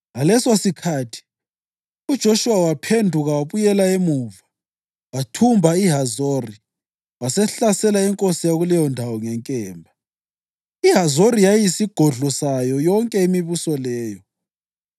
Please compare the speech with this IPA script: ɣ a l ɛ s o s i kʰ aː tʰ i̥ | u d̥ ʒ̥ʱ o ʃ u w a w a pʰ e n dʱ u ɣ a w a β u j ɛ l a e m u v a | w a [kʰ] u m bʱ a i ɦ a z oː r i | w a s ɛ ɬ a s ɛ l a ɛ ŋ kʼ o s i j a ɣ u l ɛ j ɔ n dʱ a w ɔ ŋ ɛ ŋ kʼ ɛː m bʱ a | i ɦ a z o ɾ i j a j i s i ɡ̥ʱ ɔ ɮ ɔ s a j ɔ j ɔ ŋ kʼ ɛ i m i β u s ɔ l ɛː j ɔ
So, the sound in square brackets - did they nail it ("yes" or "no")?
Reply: no